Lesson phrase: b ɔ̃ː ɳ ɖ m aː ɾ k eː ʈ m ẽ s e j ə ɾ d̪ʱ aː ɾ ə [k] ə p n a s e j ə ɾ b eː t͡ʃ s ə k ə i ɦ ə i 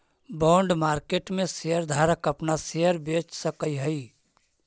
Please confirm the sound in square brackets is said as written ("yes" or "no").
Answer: yes